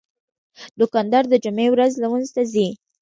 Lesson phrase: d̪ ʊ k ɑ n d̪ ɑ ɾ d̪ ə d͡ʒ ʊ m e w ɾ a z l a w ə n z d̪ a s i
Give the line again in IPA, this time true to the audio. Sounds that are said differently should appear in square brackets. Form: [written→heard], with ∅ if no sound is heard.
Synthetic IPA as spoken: d̪ ʊ k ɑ n d̪ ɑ ɾ d̪ ə d͡ʒ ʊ m e w ɾ a z l a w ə n z [d̪→t̪] a [s→z] i